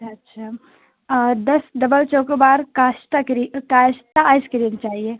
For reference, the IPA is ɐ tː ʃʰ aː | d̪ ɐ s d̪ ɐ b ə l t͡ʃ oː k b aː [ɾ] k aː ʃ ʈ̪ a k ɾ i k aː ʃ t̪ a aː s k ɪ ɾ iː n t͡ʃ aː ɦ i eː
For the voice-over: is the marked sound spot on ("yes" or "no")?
yes